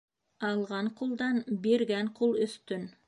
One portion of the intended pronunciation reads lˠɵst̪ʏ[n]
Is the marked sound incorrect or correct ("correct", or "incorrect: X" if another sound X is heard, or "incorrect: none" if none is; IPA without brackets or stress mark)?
correct